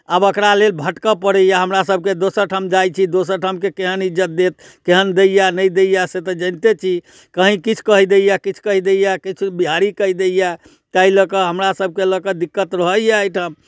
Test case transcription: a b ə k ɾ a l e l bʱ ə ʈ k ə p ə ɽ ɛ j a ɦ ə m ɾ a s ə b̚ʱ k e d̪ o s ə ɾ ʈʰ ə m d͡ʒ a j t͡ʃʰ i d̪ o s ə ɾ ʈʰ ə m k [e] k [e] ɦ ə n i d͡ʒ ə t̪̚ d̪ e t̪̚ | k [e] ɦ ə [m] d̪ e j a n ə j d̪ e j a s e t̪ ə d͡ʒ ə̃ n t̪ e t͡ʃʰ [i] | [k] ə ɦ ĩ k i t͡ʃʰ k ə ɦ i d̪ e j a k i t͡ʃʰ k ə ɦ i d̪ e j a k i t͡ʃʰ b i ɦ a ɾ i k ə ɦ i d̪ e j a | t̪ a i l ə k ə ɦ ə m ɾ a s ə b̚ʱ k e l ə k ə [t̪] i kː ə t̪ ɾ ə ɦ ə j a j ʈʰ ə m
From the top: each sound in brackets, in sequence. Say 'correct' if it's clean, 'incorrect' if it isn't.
correct, correct, correct, incorrect: n, correct, correct, incorrect: d̪

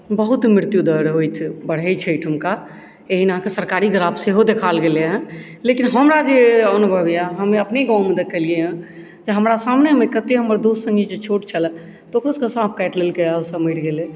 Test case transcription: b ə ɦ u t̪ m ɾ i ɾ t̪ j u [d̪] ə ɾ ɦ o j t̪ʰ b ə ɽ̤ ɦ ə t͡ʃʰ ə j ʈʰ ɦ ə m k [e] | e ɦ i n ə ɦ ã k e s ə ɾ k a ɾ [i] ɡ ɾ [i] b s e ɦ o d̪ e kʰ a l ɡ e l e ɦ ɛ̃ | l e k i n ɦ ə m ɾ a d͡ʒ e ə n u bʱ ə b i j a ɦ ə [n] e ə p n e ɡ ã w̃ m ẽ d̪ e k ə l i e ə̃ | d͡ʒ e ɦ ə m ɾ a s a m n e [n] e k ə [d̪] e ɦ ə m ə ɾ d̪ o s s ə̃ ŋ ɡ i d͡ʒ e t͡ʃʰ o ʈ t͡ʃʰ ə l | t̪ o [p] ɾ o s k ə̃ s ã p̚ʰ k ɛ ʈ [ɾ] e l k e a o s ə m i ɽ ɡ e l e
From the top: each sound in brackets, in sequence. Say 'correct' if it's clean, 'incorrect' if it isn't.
correct, incorrect: a, correct, incorrect: a, incorrect: m, incorrect: m, incorrect: t̪, incorrect: k, incorrect: l

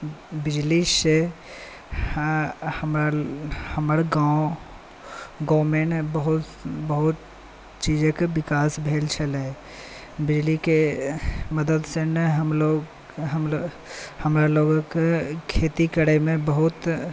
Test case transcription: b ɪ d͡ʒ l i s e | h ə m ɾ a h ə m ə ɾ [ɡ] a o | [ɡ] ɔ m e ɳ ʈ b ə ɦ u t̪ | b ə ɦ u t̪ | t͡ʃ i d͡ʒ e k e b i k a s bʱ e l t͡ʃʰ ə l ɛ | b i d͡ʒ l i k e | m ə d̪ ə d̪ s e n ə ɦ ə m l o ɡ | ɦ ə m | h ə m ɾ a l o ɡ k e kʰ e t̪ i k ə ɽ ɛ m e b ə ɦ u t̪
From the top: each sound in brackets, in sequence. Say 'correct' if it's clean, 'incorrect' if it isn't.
correct, correct

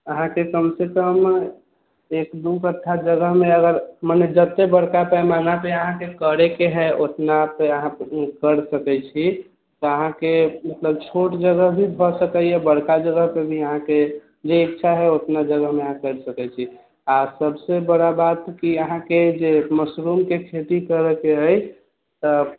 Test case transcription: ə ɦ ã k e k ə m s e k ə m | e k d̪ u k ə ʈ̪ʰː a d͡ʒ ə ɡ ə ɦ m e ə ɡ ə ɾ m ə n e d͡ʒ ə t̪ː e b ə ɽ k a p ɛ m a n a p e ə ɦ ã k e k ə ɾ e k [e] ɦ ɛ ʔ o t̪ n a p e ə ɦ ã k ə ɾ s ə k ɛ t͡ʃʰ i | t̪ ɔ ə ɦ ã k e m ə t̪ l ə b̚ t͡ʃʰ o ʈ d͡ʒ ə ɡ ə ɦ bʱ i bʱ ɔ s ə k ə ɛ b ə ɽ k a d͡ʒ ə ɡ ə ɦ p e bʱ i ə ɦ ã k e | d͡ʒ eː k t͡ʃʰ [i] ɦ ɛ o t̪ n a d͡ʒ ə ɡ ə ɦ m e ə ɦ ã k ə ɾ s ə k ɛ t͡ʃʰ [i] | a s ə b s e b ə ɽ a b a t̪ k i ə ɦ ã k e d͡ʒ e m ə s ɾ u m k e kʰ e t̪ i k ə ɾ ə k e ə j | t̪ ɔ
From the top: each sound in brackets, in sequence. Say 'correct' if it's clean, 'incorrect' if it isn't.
correct, incorrect: a, correct

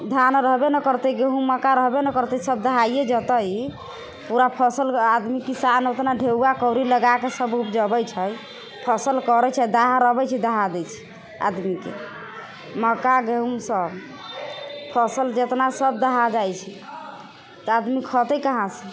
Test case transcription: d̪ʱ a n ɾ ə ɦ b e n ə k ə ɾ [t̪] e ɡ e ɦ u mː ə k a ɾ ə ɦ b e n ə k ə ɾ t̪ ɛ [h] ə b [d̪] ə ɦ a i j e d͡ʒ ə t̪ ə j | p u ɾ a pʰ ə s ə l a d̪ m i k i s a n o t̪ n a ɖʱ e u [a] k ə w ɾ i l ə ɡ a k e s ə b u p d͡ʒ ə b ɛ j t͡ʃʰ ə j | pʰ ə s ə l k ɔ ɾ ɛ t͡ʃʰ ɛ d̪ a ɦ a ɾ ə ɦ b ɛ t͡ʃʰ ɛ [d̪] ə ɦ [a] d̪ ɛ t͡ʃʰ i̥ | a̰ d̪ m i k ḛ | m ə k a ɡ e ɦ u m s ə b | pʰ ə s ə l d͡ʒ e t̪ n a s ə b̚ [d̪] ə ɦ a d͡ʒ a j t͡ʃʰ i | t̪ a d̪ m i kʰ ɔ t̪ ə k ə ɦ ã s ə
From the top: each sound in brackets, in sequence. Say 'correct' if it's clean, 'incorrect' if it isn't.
correct, incorrect: s, correct, correct, correct, correct, correct

